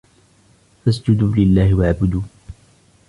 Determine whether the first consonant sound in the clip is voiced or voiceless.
voiceless